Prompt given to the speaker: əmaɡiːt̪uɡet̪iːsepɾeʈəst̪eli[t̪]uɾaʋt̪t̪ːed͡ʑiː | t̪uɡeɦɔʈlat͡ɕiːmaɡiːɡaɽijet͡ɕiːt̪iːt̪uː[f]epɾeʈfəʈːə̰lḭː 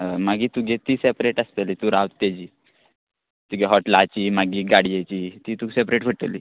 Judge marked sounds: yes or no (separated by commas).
yes, no